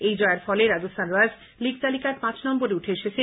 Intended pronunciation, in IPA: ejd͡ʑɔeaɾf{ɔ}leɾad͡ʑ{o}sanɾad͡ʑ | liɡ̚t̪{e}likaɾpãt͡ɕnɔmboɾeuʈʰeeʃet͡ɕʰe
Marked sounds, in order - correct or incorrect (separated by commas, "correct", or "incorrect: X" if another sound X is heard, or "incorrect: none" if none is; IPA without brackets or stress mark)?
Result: correct, correct, incorrect: a